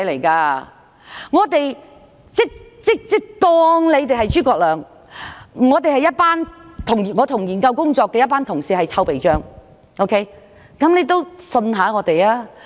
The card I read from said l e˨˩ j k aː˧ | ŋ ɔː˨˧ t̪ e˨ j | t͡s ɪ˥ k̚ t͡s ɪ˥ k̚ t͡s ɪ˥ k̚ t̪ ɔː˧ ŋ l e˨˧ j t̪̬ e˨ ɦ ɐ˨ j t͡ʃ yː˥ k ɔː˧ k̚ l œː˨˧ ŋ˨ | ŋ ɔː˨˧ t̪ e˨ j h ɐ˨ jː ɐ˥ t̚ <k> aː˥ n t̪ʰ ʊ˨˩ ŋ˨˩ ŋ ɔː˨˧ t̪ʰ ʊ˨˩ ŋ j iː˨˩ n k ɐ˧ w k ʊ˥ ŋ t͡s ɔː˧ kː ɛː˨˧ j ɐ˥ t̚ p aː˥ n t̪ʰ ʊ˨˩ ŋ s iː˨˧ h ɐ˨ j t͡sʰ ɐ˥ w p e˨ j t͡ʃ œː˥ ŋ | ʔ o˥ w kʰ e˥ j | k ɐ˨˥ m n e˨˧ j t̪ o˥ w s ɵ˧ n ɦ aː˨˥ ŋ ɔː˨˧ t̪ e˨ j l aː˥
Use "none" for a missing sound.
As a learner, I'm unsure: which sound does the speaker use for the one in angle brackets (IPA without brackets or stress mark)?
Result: p